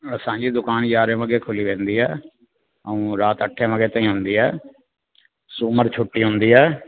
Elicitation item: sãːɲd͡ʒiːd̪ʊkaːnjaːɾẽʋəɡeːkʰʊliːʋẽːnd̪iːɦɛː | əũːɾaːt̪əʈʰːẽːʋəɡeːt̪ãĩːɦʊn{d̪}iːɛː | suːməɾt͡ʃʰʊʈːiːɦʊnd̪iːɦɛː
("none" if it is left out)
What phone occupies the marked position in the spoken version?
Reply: d̪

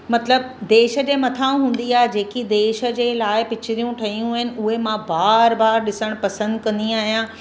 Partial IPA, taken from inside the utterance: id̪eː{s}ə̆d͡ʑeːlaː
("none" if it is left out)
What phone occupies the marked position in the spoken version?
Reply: ʃ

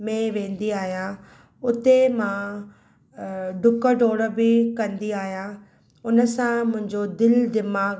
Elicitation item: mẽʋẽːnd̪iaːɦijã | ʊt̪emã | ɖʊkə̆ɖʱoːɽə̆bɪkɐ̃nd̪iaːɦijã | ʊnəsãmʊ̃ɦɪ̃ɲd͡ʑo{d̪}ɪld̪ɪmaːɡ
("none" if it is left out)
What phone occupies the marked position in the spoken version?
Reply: d̪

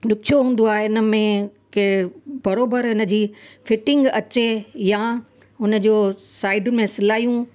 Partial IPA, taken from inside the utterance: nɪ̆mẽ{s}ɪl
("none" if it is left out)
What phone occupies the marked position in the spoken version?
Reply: s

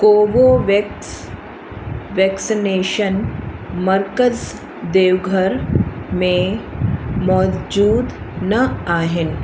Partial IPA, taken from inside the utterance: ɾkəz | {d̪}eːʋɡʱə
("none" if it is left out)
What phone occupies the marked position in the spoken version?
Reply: d̪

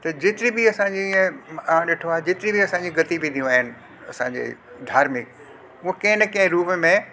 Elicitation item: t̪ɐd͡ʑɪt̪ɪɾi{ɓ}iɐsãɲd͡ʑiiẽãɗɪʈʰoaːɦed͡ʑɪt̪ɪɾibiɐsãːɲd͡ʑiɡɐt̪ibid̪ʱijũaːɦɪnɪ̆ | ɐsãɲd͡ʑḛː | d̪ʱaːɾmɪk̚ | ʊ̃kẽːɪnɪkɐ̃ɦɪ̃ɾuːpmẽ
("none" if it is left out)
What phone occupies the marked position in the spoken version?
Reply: b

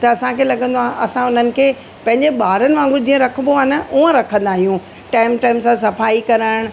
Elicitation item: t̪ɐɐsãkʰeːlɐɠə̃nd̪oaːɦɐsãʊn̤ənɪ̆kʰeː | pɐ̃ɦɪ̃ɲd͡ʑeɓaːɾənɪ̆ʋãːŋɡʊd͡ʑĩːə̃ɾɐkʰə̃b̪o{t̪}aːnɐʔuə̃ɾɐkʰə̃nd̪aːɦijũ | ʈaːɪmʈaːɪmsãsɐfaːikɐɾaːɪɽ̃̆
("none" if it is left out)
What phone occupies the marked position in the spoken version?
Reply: none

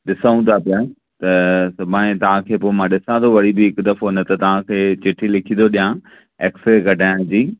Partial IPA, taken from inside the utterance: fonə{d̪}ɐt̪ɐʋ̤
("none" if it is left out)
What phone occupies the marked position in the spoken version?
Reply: t̪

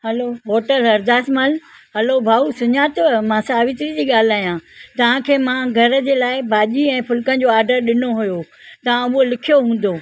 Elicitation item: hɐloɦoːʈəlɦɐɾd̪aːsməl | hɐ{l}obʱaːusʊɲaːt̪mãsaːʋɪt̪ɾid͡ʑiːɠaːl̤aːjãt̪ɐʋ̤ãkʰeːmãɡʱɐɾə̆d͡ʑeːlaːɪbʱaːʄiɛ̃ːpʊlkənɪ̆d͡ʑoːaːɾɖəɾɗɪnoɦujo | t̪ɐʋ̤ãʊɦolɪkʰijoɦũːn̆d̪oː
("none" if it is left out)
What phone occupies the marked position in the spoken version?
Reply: l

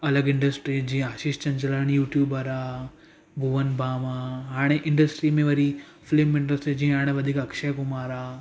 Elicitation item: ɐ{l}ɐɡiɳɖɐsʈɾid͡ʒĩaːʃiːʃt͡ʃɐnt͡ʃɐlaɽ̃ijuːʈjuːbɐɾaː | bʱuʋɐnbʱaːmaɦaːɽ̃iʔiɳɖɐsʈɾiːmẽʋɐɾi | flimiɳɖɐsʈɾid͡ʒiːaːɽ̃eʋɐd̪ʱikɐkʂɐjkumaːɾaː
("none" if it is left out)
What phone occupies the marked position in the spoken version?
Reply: l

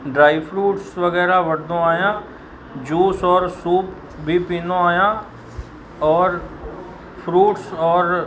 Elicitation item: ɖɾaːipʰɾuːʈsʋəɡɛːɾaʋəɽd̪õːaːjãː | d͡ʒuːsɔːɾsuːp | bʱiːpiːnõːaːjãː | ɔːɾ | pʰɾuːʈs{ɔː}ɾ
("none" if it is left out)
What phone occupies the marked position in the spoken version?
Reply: ɔː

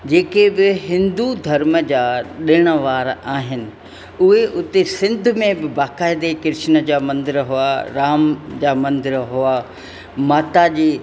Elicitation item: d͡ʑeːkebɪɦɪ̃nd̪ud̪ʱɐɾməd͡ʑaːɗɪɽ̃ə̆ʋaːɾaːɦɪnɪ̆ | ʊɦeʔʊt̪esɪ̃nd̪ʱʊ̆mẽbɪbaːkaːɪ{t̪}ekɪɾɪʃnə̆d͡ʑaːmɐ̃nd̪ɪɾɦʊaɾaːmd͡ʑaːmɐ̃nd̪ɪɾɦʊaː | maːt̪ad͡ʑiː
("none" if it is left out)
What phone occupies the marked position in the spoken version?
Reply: d̪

